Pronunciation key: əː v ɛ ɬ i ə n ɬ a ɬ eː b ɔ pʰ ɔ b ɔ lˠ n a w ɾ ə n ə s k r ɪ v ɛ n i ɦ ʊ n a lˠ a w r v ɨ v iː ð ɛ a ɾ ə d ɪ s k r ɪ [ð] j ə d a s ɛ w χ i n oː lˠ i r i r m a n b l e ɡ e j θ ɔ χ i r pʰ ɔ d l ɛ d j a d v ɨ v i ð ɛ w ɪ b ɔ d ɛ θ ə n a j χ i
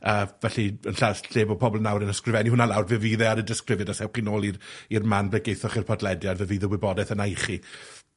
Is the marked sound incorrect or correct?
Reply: incorrect